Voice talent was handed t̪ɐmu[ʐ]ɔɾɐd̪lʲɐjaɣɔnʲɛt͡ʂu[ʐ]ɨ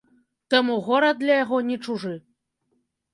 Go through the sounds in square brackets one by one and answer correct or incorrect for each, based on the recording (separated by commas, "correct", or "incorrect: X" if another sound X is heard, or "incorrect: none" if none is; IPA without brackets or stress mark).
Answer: incorrect: ɣ, correct